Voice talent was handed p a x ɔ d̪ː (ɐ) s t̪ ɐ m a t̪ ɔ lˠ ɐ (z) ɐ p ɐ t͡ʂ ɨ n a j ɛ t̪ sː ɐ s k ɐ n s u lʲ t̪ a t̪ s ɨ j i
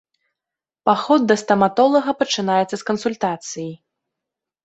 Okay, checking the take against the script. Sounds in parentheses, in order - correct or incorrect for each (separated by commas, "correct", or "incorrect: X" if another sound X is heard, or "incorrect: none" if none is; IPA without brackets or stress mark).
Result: correct, incorrect: ɣ